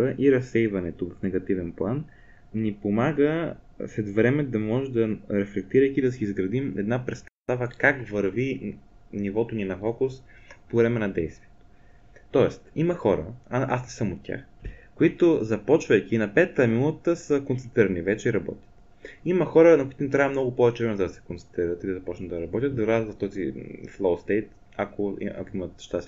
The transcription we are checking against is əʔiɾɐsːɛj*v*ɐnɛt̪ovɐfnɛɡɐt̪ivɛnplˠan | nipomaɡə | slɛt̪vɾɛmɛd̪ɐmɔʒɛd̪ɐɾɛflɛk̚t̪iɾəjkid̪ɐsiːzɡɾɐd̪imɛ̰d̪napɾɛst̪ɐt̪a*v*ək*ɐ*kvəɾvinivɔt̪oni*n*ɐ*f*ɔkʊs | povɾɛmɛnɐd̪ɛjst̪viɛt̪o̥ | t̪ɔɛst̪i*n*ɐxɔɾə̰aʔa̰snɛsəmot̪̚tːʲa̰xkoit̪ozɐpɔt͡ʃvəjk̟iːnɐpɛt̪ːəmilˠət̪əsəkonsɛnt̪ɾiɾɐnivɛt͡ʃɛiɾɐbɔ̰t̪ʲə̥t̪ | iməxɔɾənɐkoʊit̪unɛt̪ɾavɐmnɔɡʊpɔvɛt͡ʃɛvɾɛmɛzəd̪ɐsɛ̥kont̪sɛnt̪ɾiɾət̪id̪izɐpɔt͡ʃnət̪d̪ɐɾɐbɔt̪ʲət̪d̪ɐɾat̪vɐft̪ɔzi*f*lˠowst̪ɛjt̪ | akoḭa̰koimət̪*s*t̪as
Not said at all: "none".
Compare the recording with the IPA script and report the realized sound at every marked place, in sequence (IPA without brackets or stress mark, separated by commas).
v, v, a, n, f, m, f, ʃ